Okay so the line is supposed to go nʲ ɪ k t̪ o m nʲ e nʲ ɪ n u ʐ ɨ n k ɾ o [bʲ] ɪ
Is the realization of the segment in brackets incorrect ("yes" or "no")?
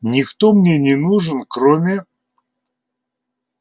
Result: yes